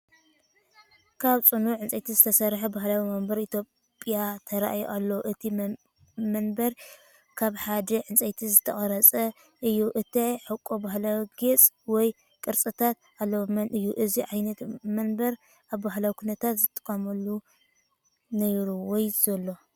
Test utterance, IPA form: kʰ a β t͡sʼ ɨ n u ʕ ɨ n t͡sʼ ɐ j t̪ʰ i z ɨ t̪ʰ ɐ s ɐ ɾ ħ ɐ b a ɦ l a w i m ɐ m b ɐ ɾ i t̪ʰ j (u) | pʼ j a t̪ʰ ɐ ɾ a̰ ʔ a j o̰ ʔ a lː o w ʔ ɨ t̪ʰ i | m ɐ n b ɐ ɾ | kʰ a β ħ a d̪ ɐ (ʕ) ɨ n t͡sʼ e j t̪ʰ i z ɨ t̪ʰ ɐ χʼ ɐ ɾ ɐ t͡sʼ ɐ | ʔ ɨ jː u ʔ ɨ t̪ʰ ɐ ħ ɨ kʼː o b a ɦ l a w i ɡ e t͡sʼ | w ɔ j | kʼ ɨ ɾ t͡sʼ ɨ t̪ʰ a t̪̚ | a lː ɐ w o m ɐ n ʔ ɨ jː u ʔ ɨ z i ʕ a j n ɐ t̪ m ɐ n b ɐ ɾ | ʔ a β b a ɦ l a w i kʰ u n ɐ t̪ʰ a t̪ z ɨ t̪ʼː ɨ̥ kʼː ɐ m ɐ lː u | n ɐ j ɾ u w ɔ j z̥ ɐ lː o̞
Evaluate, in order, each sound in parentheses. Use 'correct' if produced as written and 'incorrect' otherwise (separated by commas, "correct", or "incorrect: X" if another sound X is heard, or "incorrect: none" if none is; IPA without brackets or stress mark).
incorrect: o, correct